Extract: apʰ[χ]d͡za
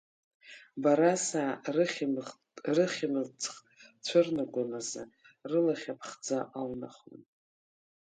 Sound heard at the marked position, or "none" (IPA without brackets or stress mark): χ